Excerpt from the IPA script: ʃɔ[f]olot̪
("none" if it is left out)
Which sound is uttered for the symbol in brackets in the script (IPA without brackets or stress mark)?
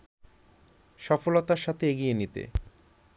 f